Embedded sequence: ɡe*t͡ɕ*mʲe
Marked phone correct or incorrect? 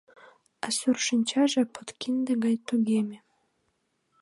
incorrect